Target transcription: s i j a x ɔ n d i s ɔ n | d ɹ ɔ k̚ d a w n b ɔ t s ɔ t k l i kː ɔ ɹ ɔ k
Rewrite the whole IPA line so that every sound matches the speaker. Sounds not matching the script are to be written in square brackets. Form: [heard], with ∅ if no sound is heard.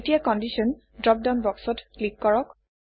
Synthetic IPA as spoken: [t] i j a [k] ɔ n d i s ɔ n | d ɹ ɔ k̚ d a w n b ɔ [k] s ɔ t k l i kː ɔ ɹ ɔ k